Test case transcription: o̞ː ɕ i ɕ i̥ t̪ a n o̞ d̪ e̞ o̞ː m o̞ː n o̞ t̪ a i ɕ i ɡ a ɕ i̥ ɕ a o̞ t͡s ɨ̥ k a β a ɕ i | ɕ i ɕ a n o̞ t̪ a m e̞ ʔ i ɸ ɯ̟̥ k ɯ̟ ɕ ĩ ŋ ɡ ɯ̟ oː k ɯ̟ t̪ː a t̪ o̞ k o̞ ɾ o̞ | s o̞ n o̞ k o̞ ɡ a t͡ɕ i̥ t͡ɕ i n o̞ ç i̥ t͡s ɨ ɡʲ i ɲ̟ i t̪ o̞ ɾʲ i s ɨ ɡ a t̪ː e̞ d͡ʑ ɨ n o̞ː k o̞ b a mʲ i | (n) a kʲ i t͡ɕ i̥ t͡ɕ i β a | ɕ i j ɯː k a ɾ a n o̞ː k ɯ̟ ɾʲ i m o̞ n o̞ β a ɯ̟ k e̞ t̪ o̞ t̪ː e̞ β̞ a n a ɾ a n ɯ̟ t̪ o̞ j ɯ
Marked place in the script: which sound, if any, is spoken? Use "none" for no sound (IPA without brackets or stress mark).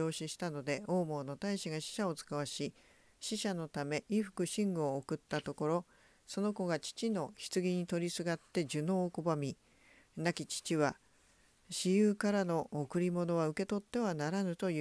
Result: n